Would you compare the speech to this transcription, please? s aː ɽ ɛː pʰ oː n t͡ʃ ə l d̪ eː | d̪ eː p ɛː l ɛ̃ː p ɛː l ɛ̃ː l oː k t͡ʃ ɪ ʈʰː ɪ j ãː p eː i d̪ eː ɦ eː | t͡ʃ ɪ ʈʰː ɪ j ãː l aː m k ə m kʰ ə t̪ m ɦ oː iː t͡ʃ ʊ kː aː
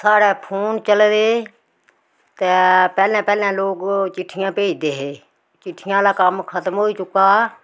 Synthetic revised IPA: s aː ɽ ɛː pʰ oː n t͡ʃ ə l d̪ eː | t̪ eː p ɛː l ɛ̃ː p ɛː l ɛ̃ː l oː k t͡ʃ ɪ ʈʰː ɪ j ãː p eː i d̪ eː ɦ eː | t͡ʃ ɪ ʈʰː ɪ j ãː l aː k ə m kʰ ə t̪ m ɦ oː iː t͡ʃ ʊ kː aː